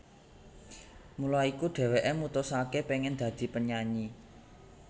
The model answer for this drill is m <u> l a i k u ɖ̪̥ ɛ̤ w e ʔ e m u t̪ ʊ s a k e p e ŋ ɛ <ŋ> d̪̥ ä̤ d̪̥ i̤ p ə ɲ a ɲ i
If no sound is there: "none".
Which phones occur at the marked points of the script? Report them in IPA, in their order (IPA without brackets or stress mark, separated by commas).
u, n